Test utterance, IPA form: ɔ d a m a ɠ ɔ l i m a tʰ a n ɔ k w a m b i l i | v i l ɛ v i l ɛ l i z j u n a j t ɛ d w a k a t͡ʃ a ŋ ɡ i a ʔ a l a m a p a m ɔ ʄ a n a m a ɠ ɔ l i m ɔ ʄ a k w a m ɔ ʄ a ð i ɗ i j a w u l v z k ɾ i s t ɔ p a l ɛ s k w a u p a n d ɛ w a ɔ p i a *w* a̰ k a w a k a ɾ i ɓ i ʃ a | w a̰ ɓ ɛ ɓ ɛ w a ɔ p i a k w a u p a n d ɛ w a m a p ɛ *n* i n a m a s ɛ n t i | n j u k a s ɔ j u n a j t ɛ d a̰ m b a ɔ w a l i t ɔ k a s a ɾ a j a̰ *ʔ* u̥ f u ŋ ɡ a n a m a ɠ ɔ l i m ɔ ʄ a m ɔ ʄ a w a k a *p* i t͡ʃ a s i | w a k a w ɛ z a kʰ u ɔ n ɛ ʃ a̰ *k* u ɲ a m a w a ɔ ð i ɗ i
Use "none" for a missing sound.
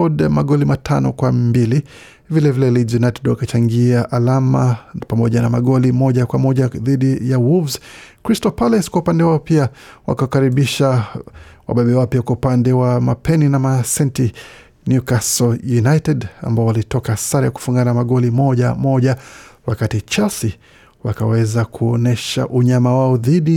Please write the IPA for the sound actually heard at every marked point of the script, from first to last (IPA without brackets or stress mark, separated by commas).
w, n, k, t, ʔ